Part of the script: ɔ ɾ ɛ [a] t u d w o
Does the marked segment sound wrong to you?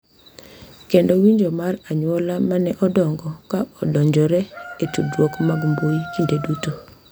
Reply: yes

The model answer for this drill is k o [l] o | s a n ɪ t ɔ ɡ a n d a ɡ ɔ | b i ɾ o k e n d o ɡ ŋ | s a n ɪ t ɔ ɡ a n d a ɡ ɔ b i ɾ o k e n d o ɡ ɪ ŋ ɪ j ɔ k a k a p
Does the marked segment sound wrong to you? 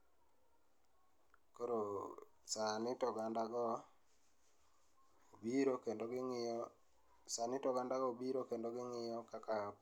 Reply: yes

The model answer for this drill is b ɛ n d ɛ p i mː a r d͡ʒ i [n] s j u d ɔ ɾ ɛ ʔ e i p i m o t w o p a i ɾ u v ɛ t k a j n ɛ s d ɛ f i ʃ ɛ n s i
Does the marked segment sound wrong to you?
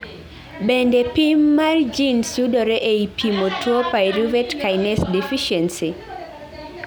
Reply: no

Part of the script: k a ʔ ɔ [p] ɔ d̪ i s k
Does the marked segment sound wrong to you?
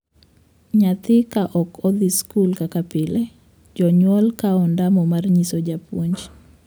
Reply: yes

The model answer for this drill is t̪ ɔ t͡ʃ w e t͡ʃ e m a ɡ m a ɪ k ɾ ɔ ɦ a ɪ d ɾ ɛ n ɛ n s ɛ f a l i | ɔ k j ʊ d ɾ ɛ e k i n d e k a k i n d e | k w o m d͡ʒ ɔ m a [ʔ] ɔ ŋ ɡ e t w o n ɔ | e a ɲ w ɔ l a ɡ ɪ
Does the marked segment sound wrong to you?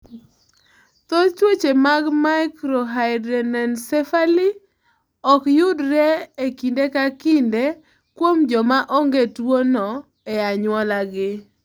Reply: no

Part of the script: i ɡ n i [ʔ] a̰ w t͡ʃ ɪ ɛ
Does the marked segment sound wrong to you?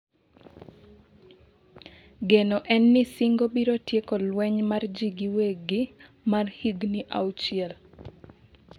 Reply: no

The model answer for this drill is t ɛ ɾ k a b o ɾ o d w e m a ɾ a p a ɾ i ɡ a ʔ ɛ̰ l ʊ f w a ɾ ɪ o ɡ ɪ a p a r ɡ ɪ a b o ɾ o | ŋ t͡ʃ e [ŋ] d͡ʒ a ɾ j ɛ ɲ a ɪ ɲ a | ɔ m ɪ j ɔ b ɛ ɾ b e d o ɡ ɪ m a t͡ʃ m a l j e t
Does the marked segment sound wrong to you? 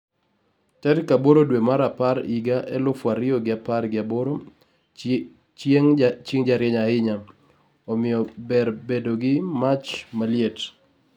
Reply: no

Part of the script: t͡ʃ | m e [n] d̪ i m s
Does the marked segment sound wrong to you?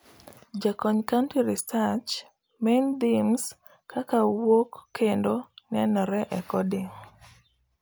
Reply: no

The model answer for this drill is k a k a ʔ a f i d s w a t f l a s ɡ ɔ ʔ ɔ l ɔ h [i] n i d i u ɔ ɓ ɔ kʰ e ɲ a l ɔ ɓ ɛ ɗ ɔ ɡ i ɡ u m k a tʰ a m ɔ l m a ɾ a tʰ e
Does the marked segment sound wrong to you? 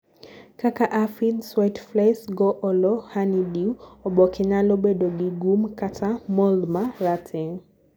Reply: yes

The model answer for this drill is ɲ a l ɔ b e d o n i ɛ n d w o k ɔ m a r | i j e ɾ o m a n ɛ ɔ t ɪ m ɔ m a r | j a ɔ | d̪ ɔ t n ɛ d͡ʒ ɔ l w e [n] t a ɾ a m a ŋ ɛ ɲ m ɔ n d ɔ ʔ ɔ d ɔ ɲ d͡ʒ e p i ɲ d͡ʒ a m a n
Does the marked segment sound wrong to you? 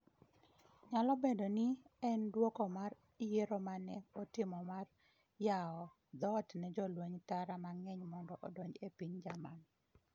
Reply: yes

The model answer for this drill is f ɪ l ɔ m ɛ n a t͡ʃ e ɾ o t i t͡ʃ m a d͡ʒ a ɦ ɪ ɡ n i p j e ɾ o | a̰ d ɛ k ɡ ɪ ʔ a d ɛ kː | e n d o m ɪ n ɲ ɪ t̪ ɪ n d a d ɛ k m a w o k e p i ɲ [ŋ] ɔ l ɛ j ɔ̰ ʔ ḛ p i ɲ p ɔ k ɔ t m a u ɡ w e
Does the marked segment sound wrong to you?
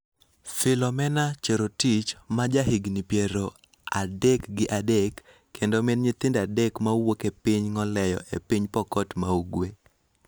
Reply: no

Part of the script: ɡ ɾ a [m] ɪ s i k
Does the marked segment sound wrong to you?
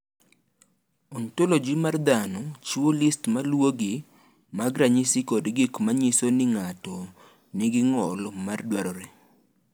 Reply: yes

